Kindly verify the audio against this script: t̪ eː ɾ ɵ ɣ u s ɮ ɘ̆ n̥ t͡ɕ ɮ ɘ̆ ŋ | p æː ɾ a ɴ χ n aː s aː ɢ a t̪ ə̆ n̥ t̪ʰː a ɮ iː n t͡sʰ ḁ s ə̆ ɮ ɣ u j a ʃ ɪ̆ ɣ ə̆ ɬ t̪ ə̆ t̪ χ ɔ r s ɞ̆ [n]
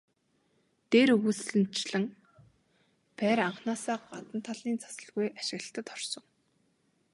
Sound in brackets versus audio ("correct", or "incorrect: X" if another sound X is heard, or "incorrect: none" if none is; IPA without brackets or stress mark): incorrect: ŋ